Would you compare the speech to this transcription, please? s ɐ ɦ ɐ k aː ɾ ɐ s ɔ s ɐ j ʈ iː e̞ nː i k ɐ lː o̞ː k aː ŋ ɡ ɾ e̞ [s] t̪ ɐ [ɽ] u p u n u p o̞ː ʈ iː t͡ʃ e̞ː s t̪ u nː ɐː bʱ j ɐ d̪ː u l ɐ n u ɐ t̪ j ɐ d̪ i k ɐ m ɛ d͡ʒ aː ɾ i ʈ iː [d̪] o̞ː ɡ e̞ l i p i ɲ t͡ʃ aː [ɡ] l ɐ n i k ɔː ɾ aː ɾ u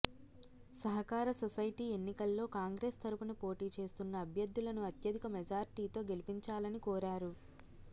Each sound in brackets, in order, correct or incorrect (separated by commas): correct, incorrect, incorrect, incorrect